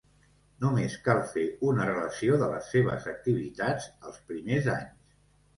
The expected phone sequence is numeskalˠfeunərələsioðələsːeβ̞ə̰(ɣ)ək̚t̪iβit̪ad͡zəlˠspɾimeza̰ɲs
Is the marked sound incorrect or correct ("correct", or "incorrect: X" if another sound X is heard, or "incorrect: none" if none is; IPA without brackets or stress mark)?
incorrect: z